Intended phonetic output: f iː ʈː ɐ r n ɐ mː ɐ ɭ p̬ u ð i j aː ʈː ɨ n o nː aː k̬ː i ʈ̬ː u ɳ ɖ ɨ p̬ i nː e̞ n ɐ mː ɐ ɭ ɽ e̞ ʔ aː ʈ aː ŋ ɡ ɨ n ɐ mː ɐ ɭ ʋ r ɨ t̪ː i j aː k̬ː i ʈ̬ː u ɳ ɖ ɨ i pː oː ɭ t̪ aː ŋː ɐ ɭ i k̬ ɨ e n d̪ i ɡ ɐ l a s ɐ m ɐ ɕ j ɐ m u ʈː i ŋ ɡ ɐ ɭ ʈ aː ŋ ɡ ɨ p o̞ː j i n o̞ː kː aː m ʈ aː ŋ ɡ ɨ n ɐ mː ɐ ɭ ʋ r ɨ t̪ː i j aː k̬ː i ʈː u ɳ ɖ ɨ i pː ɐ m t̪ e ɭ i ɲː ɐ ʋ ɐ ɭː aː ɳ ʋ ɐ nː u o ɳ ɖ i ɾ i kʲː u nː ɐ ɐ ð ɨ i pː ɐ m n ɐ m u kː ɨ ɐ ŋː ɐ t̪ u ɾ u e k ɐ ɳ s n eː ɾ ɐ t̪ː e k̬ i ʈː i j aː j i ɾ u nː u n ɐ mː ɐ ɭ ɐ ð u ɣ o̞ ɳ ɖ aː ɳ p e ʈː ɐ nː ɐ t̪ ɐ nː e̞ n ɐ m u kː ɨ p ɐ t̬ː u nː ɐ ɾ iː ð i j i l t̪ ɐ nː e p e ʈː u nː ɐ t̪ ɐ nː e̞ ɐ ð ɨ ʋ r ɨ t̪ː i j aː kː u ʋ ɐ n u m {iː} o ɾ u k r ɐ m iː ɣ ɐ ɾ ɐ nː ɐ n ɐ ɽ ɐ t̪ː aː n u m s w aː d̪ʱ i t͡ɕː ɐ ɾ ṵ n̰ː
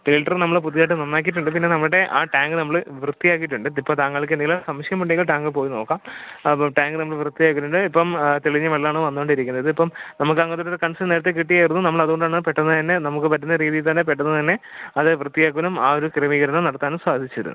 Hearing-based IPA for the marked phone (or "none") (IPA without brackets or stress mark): aː